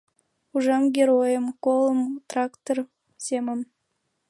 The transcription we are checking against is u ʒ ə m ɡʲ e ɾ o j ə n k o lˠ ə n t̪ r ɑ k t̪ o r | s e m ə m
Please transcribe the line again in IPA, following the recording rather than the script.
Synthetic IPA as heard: u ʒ ɑ m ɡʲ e ɾ o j ə m k o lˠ ə m t̪ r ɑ k t̪ o r | s e m ə m